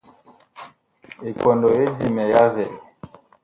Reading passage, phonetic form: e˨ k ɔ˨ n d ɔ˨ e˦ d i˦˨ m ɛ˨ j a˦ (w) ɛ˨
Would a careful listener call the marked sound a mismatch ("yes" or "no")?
yes